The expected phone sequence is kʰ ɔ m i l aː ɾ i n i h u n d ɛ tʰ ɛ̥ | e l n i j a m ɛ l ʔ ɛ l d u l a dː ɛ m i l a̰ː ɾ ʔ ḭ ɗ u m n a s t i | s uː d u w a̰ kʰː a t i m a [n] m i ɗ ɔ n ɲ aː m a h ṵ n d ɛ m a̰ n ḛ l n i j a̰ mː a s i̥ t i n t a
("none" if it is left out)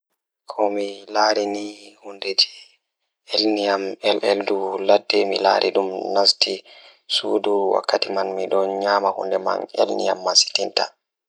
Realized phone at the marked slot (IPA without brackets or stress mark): n